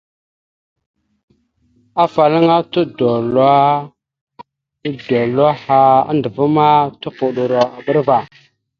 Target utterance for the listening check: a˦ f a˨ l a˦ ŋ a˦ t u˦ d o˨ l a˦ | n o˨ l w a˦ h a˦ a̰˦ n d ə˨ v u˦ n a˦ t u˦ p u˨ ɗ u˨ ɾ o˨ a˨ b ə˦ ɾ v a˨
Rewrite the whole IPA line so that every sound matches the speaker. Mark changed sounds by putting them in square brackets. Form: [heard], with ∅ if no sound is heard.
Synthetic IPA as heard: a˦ f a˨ l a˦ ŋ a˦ t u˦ d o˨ l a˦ | [d] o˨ l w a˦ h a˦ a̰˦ n d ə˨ v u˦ [m] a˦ t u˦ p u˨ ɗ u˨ ɾ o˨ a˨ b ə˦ ɾ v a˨